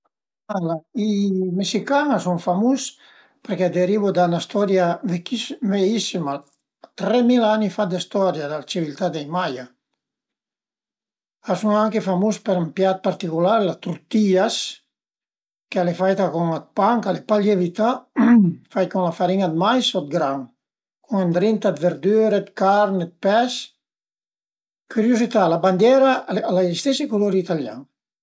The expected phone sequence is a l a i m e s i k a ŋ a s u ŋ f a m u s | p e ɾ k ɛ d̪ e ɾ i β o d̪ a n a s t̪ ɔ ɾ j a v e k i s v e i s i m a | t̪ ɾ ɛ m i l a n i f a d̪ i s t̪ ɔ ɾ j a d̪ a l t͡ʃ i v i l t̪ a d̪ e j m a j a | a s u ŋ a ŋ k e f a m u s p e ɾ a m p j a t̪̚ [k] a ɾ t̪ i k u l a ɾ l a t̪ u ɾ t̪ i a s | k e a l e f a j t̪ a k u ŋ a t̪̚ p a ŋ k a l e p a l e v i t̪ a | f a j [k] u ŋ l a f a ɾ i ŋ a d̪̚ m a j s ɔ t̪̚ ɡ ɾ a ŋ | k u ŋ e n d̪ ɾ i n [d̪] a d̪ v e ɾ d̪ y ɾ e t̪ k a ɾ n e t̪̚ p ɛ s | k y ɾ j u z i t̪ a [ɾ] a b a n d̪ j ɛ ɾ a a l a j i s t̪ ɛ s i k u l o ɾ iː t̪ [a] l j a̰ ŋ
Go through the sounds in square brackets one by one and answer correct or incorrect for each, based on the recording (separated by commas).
incorrect, correct, incorrect, incorrect, correct